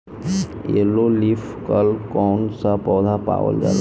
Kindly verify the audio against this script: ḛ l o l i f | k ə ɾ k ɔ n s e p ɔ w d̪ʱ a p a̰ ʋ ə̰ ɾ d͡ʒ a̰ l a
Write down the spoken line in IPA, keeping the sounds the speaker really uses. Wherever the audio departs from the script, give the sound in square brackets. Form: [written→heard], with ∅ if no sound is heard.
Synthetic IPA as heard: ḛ l o l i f | k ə [ɾ→l] k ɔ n s [e→a] p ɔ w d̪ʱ a p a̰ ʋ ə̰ [ɾ→l] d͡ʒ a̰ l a